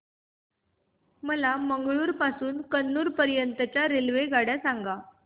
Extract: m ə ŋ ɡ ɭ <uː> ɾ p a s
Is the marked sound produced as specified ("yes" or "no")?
yes